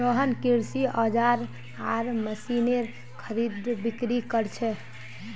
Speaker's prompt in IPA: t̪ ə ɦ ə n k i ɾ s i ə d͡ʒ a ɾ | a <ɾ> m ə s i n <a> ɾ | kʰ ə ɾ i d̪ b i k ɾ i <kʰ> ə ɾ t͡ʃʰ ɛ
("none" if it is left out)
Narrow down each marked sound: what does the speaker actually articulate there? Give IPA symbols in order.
ɾ, e, k

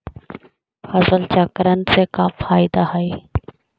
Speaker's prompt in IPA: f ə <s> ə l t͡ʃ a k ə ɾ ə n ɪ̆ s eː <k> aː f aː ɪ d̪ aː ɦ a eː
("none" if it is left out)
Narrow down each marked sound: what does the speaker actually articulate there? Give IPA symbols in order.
z, k

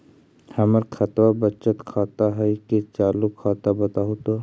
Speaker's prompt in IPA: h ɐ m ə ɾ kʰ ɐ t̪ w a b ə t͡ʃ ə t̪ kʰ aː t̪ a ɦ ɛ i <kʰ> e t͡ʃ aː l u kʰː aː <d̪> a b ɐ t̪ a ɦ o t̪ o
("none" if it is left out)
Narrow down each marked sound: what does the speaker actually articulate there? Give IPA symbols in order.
k, t̪

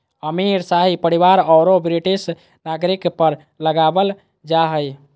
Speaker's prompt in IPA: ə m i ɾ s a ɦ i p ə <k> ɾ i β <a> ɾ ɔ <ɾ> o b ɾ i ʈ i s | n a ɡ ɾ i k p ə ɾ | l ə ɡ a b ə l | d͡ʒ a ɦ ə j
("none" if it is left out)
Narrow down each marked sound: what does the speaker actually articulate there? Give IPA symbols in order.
none, a, ɾ

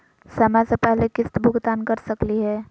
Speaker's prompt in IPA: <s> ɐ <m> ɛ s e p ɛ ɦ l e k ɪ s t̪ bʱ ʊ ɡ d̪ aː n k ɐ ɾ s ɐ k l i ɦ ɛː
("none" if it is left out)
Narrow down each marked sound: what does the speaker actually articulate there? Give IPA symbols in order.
s, m

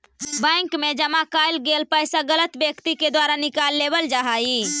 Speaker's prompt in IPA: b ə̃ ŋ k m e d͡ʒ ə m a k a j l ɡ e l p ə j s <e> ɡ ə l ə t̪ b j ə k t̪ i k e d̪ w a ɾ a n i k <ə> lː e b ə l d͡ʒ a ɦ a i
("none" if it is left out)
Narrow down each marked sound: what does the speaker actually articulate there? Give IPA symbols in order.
a, a

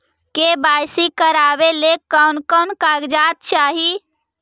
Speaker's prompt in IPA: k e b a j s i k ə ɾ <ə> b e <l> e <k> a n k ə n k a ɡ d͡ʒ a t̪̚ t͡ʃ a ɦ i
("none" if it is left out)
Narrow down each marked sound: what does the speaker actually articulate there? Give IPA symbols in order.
a, l, k

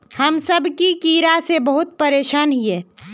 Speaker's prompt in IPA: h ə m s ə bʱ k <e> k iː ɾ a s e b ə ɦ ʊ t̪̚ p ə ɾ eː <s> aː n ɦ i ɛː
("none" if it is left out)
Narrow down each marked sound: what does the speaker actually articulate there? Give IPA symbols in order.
i, ʃ

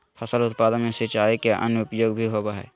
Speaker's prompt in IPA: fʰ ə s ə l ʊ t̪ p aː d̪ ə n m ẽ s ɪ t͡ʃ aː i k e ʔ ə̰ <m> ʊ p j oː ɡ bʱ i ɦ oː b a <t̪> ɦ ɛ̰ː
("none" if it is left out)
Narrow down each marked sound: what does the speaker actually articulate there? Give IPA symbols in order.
n, none

